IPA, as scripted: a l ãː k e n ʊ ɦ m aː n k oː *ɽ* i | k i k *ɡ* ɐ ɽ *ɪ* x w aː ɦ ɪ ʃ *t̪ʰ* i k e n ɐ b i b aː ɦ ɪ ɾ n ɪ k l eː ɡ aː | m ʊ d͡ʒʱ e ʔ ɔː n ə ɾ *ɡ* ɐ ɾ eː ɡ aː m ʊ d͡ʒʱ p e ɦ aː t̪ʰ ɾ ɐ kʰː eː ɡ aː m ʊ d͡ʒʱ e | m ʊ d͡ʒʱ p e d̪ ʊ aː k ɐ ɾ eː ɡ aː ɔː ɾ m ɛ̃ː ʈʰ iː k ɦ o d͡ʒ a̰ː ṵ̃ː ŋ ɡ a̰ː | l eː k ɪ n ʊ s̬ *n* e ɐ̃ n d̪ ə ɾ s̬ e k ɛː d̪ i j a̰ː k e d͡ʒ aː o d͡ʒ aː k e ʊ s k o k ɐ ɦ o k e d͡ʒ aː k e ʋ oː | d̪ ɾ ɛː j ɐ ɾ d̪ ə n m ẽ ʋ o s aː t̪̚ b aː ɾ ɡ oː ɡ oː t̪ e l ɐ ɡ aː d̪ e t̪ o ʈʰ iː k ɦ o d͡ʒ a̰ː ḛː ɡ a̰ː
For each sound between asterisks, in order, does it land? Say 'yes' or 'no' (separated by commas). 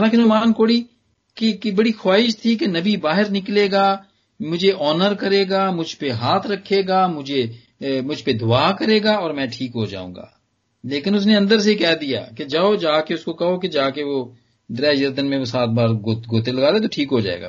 yes, no, no, yes, no, yes